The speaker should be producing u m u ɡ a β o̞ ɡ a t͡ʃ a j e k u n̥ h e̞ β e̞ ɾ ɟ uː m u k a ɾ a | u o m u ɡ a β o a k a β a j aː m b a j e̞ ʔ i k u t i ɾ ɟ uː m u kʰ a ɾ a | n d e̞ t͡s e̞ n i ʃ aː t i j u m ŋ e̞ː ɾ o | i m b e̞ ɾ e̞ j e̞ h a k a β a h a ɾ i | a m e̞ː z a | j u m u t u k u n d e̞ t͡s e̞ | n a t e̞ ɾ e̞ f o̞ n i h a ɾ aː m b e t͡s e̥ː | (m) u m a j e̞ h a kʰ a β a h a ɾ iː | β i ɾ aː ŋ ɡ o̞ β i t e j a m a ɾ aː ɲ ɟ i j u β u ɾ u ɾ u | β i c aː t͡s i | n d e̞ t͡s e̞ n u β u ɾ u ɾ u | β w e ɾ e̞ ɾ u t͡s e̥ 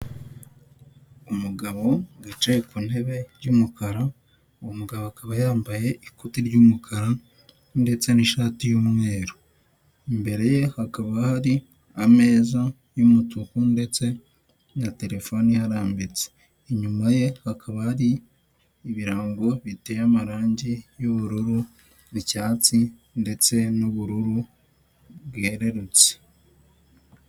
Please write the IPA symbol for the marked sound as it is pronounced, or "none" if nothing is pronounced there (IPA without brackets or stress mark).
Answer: ɲ